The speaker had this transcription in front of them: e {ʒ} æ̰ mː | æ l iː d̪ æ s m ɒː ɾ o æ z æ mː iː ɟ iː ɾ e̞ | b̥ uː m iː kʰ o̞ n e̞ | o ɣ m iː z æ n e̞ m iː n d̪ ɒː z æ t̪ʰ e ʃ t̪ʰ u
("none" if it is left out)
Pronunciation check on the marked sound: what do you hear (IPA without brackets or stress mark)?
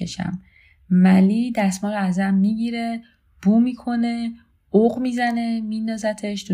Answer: ʃ